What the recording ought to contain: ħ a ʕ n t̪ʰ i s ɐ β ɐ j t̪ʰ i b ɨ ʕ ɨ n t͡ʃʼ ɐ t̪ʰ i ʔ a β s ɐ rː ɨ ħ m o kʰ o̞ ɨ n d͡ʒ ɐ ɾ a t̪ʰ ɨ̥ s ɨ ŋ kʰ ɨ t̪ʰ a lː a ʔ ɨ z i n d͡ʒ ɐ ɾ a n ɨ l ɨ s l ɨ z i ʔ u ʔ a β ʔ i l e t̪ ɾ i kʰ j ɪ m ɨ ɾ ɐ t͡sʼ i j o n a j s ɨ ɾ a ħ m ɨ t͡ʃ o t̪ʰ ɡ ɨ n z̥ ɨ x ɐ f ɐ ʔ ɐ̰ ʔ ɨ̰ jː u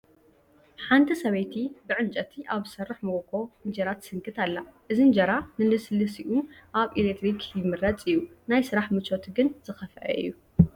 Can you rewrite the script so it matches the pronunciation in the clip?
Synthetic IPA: ħ a n t̪ʰ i s ɐ β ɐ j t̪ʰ i b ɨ ʕ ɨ n t͡ʃʼ ɐ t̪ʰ i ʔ a β s ɐ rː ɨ ħ m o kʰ o̞ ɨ n d͡ʒ ɐ ɾ a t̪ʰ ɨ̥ s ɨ ŋ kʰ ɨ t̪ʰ a lː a ʔ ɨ z i n d͡ʒ ɐ ɾ a n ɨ l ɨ s l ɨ s i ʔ u ʔ a β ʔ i l e t̪ ɾ i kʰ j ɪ m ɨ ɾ ɐ t͡sʼ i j u n a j s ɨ ɾ a ħ m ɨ t͡ʃ o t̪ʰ ɡ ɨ n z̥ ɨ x ɐ f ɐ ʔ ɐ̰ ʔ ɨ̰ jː u